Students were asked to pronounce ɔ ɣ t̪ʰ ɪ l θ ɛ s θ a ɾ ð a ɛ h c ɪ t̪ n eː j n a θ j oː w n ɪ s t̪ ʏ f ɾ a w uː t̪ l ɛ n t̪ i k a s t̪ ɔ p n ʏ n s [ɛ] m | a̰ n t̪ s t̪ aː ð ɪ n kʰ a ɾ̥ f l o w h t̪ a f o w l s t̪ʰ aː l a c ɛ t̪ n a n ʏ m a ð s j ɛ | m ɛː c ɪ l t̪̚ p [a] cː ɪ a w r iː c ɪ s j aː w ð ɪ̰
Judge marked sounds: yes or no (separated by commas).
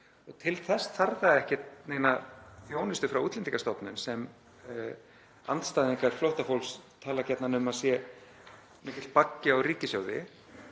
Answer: yes, yes